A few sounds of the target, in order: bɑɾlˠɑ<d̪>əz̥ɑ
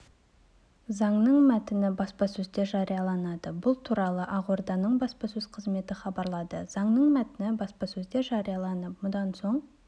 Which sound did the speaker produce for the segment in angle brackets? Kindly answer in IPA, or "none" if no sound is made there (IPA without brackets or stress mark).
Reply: d̪